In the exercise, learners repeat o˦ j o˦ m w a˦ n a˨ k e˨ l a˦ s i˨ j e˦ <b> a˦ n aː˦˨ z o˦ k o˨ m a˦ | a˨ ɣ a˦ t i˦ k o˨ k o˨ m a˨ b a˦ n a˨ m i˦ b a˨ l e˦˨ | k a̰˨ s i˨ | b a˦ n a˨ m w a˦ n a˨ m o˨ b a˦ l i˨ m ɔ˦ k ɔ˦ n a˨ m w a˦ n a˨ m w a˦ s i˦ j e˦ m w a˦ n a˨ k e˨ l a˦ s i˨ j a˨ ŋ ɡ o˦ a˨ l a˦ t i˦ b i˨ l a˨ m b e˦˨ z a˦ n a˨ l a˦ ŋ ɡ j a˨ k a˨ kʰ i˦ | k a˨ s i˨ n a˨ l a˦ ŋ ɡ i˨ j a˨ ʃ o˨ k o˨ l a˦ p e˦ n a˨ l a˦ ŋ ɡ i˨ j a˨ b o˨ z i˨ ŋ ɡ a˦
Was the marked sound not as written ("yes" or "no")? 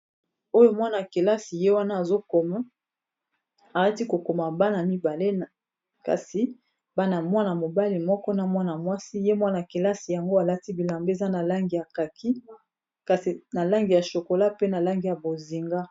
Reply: yes